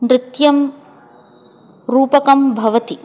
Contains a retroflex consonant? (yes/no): no